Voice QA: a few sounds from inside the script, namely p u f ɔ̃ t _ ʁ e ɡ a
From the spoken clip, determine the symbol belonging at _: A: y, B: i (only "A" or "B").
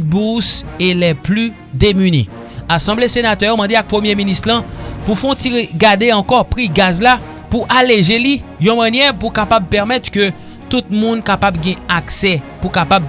B